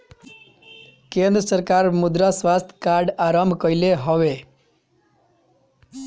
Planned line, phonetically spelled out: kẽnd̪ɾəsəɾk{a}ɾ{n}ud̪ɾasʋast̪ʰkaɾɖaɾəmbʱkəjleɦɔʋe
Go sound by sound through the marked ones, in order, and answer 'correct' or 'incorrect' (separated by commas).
correct, incorrect